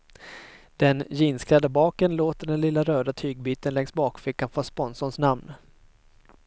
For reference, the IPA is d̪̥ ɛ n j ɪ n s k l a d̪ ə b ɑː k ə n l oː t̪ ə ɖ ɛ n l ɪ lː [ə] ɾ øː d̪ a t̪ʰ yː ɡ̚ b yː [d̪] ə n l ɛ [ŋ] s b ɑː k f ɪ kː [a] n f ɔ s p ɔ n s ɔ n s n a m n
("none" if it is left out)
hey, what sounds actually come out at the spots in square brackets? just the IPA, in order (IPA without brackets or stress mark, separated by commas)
a, t̪, ŋ, a